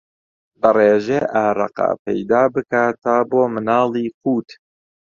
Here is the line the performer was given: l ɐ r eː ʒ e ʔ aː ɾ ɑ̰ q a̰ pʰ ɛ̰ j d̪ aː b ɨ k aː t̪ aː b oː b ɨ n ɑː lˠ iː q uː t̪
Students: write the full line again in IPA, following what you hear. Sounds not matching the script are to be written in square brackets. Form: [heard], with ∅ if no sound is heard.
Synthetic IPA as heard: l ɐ r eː ʒ e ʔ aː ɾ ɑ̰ q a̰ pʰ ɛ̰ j d̪ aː b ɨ k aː t̪ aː b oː [m] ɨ n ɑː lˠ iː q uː t̪